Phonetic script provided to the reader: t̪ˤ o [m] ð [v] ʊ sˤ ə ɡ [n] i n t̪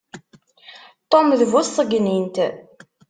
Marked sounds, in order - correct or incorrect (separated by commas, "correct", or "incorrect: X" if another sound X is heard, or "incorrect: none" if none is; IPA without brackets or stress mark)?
correct, correct, correct